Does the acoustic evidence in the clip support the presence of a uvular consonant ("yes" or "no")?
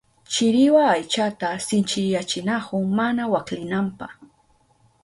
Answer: yes